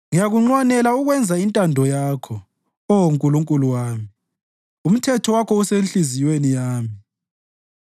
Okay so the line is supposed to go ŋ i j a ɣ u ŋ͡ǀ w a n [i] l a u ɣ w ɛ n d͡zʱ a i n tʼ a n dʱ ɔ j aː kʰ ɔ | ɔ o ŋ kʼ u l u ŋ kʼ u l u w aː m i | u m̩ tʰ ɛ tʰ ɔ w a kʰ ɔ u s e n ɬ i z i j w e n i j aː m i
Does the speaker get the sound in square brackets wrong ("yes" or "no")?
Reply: yes